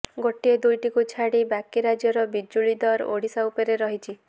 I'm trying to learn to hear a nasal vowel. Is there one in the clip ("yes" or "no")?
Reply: no